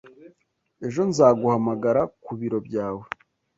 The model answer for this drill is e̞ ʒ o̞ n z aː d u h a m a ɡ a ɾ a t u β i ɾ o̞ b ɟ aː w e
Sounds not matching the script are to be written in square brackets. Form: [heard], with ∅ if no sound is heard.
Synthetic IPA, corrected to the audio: e̞ ʒ o̞ n z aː [ɡ] u h a m a ɡ a ɾ a [k] u β i ɾ o̞ b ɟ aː w e